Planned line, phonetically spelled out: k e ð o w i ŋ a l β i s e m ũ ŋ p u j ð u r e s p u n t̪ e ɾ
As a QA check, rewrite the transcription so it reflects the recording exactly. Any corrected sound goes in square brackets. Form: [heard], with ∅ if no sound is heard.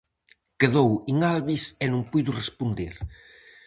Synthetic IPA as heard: k e ð o w i ŋ a l β i s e [n] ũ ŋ p u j ð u r e s p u n [d̪] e ɾ